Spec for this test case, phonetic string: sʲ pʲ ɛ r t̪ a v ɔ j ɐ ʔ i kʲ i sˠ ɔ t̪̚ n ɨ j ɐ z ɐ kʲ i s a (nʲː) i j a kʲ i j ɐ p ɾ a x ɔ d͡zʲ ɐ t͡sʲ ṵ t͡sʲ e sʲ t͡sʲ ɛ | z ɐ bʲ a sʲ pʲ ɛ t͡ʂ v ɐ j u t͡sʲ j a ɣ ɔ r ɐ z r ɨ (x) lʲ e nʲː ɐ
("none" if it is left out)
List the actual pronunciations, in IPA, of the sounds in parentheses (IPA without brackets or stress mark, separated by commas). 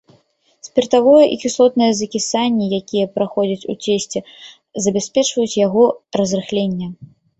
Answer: nʲː, x